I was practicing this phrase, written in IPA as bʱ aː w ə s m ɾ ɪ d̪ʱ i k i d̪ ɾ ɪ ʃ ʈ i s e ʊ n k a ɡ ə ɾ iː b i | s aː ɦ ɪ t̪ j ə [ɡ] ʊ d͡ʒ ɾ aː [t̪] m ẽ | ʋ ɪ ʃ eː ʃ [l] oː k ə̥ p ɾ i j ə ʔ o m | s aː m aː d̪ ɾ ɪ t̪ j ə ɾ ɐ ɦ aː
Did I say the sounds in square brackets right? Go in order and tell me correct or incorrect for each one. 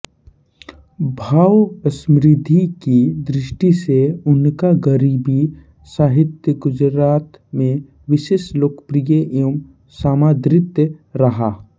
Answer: correct, correct, correct

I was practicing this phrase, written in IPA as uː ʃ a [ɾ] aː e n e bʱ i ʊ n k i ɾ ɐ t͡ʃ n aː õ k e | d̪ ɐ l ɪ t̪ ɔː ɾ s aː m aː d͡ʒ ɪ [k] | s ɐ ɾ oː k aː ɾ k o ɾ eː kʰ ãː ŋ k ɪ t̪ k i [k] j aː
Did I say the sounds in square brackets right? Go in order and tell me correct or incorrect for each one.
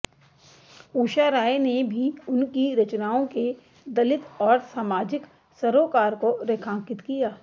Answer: correct, correct, incorrect

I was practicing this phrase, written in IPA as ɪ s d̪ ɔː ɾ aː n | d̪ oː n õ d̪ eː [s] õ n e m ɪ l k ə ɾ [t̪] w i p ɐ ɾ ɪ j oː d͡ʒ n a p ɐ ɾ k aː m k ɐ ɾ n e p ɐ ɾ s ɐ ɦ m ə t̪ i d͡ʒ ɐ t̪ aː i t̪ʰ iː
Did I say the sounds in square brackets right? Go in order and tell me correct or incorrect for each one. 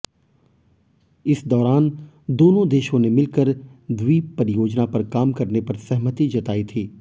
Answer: incorrect, incorrect

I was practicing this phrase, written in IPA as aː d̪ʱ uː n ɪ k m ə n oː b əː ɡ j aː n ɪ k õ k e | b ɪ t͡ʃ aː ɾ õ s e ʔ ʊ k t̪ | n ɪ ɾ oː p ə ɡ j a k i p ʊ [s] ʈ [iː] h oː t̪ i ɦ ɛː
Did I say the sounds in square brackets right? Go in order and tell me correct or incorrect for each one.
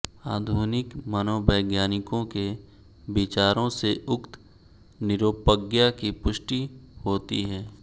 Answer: incorrect, incorrect

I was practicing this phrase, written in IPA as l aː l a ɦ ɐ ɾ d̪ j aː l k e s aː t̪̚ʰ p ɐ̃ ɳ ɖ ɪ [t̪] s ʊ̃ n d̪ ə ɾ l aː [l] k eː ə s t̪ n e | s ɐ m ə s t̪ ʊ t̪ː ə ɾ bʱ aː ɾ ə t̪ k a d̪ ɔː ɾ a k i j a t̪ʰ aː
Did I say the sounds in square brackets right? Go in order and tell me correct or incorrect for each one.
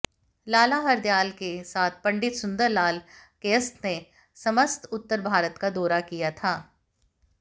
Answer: correct, correct

